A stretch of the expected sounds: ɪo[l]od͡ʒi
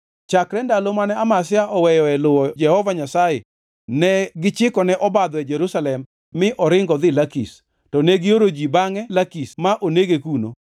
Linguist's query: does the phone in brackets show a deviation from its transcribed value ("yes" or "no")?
yes